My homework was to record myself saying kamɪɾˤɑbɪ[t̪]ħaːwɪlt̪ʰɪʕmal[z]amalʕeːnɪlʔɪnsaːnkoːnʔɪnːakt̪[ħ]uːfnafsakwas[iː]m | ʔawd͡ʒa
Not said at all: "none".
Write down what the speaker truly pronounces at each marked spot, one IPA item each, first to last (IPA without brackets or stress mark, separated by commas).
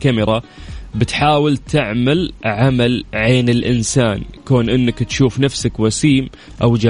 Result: t̪, ʕ, ʃ, iː